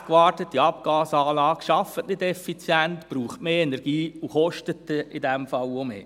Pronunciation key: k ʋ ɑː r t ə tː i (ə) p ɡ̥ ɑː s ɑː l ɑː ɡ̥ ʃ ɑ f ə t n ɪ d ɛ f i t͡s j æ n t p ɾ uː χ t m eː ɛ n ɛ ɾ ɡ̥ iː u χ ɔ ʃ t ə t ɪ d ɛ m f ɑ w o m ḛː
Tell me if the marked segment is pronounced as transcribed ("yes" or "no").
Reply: no